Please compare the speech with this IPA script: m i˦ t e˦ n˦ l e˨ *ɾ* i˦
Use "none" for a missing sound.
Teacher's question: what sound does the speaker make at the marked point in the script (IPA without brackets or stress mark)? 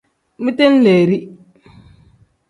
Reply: ɾ